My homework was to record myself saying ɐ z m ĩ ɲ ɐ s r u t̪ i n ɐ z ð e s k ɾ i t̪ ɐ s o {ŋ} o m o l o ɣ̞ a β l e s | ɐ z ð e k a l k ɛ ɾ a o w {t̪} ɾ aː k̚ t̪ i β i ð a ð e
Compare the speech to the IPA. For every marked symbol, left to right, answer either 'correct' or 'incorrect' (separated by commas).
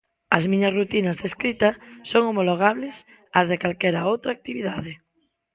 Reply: correct, correct